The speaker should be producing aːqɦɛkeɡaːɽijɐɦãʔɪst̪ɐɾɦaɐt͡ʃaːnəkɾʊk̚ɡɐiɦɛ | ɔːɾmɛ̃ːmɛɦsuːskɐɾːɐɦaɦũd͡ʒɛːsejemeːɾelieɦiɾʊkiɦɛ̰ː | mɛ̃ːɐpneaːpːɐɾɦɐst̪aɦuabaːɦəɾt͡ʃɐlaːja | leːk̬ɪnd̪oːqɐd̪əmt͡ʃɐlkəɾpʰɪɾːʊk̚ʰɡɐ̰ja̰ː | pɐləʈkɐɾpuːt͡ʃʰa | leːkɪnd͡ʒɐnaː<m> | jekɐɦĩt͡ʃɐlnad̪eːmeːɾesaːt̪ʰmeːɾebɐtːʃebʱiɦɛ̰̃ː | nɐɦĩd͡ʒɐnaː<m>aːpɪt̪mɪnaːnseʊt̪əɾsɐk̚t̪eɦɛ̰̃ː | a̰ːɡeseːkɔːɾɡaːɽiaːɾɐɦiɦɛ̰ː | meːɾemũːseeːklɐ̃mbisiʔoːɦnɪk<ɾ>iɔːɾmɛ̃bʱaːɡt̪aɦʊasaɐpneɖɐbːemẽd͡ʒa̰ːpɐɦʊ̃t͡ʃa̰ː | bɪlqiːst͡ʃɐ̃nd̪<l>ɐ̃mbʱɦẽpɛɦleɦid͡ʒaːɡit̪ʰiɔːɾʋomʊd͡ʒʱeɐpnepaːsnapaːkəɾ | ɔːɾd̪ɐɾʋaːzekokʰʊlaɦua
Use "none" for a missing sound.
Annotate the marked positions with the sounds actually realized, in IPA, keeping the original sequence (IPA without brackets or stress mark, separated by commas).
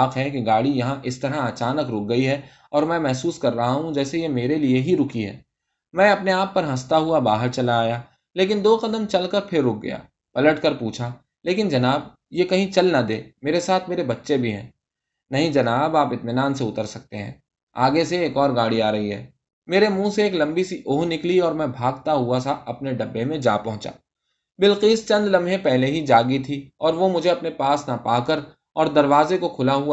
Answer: b, b, l, l